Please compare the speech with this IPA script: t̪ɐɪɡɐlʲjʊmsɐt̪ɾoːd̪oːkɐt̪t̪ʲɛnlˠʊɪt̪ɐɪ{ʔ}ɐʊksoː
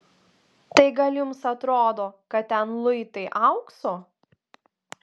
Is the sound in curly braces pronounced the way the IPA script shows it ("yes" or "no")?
yes